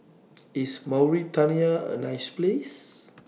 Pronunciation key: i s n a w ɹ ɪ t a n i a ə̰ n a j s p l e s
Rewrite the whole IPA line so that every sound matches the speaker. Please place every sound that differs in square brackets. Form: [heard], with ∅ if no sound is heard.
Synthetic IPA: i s [m] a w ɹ [i] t a n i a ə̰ n a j s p l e s